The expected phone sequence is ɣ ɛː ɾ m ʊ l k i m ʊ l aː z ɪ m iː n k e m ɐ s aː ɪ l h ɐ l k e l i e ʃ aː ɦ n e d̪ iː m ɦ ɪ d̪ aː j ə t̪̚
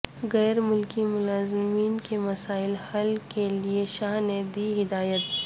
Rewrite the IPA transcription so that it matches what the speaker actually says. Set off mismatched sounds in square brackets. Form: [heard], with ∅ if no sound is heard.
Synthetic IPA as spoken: ɣ ɛː ɾ m ʊ l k i m ʊ l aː z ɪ m iː n k e m ɐ s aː ɪ l h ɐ l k e l i e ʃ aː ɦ n e d̪ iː [∅] ɦ ɪ d̪ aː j ə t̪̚